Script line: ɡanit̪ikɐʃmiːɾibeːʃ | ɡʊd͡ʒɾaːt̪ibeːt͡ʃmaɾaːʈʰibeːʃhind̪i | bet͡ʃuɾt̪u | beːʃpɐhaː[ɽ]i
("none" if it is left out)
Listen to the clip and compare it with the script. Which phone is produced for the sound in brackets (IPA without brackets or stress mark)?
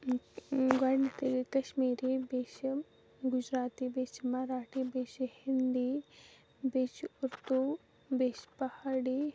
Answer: ɽ